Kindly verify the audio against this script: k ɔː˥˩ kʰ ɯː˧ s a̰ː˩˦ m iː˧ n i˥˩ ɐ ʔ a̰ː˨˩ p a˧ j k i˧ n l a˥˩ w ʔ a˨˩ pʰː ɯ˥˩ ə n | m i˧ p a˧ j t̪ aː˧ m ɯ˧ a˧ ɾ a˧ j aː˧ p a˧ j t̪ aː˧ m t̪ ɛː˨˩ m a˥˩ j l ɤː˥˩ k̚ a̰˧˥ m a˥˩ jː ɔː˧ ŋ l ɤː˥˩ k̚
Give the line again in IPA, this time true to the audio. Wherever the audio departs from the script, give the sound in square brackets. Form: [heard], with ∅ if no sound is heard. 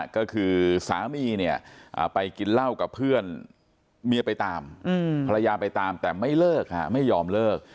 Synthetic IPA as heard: k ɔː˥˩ kʰ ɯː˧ s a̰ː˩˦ m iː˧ n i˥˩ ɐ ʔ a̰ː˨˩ p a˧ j k i˧ n l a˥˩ w [k] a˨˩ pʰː ɯ˥˩ ə n | m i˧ p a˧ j t̪ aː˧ m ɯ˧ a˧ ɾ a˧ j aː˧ p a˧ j t̪ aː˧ m t̪ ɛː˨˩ m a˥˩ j l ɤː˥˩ k̚ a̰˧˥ m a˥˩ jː ɔː˧ [m] l ɤː˥˩ k̚